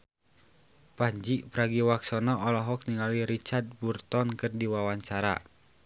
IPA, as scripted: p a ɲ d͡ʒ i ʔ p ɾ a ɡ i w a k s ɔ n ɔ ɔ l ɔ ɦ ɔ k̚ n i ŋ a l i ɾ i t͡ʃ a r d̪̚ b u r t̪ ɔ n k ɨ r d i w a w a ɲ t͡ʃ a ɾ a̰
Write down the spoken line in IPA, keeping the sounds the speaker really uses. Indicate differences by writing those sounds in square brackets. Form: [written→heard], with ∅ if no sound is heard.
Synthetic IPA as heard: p a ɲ d͡ʒ i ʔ p ɾ a ɡ i w a k s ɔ n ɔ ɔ l ɔ ɦ ɔ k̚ n i ŋ a l i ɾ i t͡ʃ a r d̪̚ b u r t̪ ɔ n k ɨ r d i w a w a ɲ t͡ʃ a ɾ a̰